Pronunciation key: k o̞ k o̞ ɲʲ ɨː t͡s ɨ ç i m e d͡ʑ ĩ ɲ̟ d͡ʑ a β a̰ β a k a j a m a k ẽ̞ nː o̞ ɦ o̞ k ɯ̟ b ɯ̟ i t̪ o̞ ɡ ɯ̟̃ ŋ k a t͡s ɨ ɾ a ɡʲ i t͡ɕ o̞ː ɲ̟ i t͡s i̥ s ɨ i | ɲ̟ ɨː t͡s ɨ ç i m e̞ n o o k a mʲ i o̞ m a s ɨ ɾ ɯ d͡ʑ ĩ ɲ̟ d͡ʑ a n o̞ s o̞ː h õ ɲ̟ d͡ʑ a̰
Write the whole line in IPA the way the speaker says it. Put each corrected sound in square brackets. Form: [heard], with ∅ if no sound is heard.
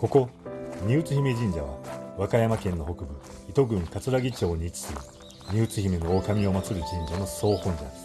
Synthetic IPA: k o̞ k o̞ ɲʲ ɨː t͡s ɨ ç i m e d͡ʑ ĩ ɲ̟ d͡ʑ a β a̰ β a k a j a m a k ẽ̞ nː o̞ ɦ o̞ k ɯ̟ b ɯ̟ i t̪ o̞ ɡ ɯ̟̃ ŋ k a t͡s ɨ ɾ a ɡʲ i t͡ɕ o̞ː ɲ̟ i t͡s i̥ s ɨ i | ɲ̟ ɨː t͡s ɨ ç i m e̞ n o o k a mʲ i o̞ m a [t͡s] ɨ ɾ ɯ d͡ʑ ĩ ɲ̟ d͡ʑ a n o̞ s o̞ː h õ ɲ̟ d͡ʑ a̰